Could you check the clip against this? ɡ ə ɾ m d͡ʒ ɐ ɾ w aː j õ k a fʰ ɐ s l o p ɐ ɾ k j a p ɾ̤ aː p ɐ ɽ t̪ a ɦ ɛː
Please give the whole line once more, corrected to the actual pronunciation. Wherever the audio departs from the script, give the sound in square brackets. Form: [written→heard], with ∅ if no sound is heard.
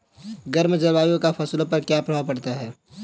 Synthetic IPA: ɡ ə ɾ m d͡ʒ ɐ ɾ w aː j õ k a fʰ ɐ s l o p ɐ ɾ k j a p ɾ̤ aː p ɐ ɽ t̪ a ɦ ɛː